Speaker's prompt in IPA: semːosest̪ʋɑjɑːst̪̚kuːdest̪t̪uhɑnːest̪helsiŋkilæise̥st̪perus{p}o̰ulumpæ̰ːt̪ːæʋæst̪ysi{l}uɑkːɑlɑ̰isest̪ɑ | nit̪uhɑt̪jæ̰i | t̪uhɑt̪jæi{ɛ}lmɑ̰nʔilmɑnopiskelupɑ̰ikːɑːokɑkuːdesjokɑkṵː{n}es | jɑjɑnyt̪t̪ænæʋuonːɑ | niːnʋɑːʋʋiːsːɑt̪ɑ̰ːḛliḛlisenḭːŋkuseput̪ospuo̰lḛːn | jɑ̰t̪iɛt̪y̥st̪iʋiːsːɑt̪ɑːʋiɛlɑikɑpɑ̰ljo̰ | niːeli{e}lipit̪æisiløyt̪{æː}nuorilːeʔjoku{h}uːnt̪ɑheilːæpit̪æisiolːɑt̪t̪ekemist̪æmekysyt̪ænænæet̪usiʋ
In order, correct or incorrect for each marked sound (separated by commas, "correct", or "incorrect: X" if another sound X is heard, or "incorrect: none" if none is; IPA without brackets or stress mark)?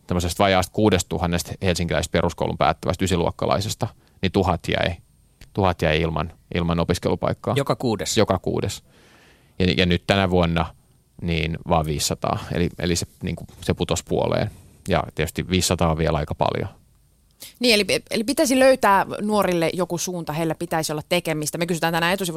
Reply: incorrect: k, correct, incorrect: i, incorrect: d, correct, correct, incorrect: s